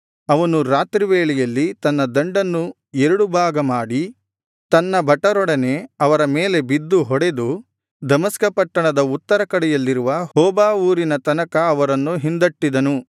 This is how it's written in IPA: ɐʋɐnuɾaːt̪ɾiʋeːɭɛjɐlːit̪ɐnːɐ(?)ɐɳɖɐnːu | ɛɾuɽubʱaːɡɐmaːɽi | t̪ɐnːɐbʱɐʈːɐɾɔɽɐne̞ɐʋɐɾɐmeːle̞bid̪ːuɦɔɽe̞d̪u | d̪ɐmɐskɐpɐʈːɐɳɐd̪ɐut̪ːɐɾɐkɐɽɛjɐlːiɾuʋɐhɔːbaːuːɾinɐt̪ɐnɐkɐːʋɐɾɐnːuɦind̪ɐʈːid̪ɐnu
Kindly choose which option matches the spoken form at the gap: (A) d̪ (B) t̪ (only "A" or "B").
A